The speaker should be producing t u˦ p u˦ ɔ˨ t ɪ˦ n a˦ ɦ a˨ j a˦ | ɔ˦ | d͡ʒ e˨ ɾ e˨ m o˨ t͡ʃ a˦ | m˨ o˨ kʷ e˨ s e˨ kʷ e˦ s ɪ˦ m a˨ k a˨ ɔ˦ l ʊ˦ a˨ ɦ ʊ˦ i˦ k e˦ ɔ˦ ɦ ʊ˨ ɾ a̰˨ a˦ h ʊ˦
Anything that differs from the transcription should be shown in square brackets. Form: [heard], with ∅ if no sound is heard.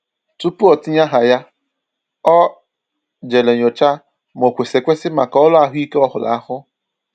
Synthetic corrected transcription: t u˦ p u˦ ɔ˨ t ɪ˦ [ɲ] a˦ ɦ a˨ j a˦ | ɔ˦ | d͡ʒ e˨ [l] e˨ [ɲ] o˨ t͡ʃ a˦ | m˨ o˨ kʷ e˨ s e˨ kʷ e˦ s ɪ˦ m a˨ k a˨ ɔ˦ l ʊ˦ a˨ ɦ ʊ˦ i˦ k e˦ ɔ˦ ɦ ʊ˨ [l] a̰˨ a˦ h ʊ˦